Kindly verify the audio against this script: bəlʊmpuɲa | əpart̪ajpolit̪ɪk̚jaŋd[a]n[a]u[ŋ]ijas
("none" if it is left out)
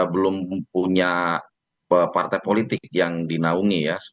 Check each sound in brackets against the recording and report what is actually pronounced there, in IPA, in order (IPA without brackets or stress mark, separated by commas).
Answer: i, a, ŋ